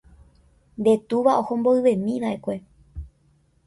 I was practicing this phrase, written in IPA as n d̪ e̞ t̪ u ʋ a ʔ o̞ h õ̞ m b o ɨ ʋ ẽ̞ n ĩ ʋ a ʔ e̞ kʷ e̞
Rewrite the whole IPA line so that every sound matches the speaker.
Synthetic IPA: n d̪ e̞ t̪ u ʋ a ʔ o̞ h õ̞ m b o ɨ ʋ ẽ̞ m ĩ ʋ a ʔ e̞ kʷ e̞